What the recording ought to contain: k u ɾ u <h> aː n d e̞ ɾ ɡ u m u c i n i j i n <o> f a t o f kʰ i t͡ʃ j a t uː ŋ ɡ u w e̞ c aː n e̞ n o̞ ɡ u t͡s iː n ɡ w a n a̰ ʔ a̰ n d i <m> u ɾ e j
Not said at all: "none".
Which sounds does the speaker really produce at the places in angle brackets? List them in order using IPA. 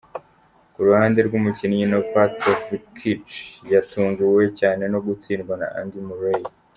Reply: h, o, m

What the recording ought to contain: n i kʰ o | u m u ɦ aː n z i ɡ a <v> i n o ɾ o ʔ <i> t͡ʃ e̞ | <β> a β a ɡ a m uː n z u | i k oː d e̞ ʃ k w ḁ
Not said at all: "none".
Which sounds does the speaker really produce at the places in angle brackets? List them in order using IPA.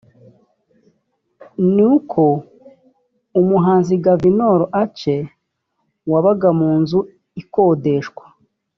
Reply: v, a, w

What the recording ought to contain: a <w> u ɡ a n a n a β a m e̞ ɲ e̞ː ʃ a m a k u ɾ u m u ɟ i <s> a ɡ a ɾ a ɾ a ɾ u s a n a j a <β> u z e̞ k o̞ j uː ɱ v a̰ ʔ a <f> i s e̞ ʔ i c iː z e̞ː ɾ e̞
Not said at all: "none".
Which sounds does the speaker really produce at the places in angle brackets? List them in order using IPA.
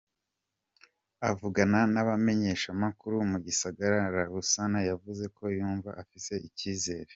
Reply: v, s, v, f

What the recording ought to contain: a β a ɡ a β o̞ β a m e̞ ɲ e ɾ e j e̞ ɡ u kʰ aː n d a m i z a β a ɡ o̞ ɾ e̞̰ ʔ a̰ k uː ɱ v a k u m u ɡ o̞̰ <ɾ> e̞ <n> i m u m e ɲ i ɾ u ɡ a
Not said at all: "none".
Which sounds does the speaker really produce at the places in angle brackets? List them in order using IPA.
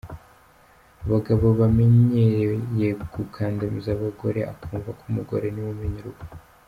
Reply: ɾ, n

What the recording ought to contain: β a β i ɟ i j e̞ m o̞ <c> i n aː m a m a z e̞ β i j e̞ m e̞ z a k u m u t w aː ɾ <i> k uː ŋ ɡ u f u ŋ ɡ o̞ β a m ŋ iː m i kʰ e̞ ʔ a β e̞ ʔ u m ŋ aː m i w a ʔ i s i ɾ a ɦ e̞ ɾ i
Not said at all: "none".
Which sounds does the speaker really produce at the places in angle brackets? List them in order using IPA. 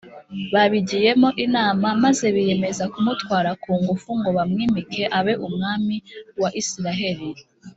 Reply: ʔ, a

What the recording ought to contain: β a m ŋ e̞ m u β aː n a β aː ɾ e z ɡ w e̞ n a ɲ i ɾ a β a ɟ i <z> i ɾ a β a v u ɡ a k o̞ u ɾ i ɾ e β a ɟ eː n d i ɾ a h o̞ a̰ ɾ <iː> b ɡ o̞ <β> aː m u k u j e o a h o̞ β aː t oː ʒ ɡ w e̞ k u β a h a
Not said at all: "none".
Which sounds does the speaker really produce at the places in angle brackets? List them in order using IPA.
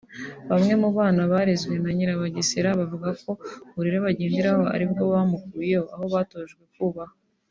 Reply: s, i, β

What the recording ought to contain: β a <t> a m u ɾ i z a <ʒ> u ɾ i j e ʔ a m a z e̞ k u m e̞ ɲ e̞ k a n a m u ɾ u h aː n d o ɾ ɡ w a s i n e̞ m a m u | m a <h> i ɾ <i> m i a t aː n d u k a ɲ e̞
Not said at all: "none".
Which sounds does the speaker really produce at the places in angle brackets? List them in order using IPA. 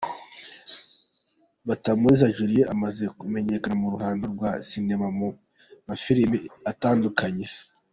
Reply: t, ʒ, f, i

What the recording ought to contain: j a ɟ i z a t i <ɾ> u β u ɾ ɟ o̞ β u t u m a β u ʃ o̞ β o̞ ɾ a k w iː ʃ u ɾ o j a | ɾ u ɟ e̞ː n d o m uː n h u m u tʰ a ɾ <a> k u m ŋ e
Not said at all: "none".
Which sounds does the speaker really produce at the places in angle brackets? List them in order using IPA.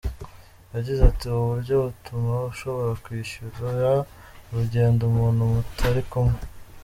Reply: none, i

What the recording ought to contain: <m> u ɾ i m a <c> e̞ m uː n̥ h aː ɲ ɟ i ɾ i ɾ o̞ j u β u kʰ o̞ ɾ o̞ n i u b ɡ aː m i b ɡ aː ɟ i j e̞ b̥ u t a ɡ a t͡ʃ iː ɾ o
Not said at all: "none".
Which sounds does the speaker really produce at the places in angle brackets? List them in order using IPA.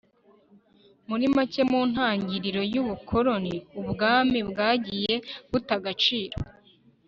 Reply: m, c

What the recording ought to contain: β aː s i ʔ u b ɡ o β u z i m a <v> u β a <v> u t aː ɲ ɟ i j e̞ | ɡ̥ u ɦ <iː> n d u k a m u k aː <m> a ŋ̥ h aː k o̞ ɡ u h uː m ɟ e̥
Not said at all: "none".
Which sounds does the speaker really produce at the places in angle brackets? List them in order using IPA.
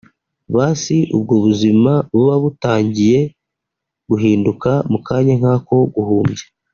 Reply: β, β, iː, ɲ

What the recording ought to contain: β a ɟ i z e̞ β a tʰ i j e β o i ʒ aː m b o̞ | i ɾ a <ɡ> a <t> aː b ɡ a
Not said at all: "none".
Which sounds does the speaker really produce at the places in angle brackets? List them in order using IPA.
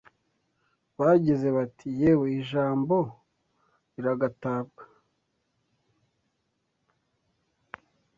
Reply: ɡ, t

